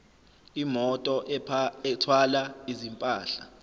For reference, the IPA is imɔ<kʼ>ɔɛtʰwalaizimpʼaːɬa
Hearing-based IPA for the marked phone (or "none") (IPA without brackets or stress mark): tʼ